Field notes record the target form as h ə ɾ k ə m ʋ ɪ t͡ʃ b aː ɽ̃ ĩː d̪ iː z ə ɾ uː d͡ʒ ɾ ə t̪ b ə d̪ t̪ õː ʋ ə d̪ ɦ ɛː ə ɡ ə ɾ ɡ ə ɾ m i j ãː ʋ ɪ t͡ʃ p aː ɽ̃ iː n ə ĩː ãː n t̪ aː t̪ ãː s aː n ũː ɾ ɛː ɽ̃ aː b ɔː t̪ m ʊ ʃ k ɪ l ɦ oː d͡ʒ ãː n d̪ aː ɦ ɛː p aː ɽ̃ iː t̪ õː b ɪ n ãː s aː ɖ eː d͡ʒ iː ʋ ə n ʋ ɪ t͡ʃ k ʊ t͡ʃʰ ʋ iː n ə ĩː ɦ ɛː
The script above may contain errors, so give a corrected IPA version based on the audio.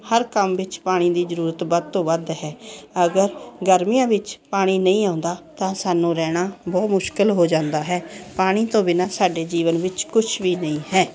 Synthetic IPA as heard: h ə ɾ k ə m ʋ ɪ t͡ʃ p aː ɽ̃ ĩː d̪ iː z ə ɾ uː ɾ ə t̪ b ə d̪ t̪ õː ʋ ə d̪ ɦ ɛː ə ɡ ə ɾ ɡ ə ɾ m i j ãː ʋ ɪ t͡ʃ p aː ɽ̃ iː n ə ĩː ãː n d̪ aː t̪ ãː s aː n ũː ɾ ɛː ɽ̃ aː b ɔː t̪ m ʊ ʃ k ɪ l ɦ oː d͡ʒ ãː n d̪ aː ɦ ɛː p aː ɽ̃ iː t̪ õː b ɪ n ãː s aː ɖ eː d͡ʒ iː ʋ ə n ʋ ɪ t͡ʃ k ʊ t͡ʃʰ ʋ iː n ə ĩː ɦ ɛː